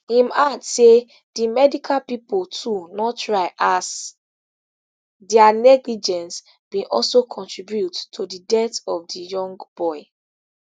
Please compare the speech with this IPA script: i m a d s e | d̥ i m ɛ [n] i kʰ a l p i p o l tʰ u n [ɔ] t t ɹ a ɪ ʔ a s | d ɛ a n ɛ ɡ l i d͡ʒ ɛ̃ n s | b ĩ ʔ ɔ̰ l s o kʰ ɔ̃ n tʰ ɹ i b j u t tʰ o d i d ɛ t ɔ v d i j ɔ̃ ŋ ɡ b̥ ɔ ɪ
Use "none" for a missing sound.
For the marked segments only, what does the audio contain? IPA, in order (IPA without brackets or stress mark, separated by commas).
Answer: d, ɔ